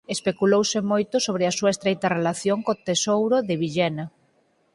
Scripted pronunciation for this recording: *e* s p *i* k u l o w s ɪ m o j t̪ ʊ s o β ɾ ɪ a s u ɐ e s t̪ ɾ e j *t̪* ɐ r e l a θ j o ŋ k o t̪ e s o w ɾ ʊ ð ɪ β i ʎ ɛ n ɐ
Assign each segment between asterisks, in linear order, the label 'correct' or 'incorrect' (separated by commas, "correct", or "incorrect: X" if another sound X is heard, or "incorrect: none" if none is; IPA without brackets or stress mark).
correct, incorrect: e, correct